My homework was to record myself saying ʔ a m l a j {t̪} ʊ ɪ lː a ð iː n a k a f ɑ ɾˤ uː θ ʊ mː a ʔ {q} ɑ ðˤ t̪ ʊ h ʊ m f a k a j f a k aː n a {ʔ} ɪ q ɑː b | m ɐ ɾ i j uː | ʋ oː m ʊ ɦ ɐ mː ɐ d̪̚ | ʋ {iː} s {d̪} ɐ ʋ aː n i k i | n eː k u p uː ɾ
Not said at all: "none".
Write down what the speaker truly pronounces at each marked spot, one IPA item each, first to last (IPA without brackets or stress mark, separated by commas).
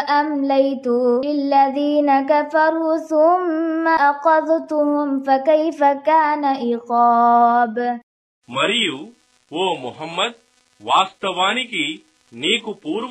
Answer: t̪, q, ʔ, aː, t̪